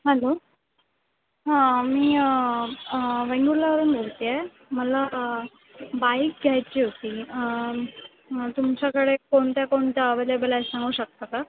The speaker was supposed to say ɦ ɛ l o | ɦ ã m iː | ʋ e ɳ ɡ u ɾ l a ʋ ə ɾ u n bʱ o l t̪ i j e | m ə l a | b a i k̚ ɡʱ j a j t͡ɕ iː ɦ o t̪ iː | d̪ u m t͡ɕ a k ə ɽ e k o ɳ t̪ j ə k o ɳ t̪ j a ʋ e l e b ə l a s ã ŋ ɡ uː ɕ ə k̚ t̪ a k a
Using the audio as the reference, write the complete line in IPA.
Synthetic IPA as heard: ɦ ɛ l o | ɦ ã m iː | ʋ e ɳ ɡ u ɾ l a ʋ ə ɾ uː n bʱ o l t̪ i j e | m ə l a | b a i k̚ ɡʱ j a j t͡ɕ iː ɦ o t̪ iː | t̪ u m t͡ɕ a k ə ɽ e k o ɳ t̪ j a k o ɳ t̪ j a ʋ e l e b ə l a s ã ŋ ɡ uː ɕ ə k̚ t̪ a k a